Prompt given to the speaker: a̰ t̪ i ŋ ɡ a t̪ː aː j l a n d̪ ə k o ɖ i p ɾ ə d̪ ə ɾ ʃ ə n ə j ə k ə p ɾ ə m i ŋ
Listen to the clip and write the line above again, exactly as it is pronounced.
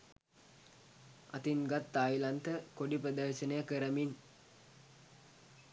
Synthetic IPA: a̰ t̪ i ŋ ɡ a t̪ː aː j l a n t̪ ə k o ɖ i p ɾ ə d̪ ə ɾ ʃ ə n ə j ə k ə ɾ ə m i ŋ

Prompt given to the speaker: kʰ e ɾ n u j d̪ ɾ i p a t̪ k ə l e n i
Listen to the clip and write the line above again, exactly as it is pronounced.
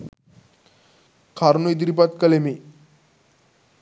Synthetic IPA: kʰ a ɾ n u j d̪ ɾ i p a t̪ k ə l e m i

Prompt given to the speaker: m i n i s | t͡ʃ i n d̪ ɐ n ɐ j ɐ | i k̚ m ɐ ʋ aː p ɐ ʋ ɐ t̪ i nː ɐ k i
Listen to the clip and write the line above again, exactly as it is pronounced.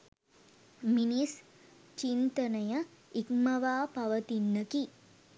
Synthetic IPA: m i n i s | t͡ʃ i n t̪ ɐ n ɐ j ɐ | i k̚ m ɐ ʋ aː p ɐ ʋ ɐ t̪ i nː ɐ k i

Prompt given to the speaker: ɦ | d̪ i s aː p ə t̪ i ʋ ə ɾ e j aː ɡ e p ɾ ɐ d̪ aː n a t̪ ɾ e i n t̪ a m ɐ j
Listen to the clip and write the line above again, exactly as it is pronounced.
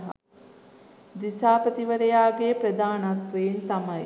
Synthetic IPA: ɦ | d̪ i s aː p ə t̪ i ʋ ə ɾ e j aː ɡ e p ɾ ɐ d̪ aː n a t̪ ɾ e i n t̪ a m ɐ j

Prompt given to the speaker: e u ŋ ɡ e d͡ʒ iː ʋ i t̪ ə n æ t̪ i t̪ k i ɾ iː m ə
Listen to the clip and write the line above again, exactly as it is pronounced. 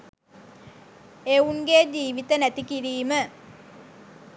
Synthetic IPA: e u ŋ ɡ e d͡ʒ iː ʋ i t̪ ə n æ t̪ i k i ɾ iː m ə

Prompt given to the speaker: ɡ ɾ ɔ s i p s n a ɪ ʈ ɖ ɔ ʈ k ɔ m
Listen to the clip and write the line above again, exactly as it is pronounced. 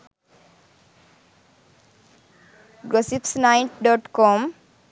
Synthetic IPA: ɡ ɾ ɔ s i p s n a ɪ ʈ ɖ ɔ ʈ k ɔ m

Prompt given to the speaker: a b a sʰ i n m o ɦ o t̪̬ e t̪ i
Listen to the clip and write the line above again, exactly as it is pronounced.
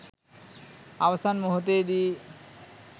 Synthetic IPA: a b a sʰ a n m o ɦ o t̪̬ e d̪ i

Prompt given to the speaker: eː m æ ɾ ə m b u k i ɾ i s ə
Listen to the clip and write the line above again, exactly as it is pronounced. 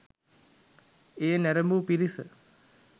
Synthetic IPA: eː n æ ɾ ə m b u p i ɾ i s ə

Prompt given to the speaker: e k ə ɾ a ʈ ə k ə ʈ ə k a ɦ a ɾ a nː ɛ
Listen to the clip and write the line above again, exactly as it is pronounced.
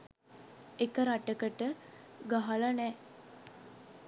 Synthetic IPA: e k ə ɾ a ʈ ə k ə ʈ ə ɡ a ɦ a l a n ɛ

